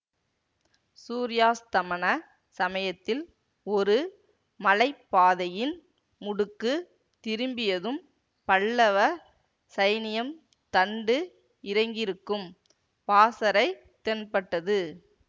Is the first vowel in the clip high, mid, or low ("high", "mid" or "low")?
high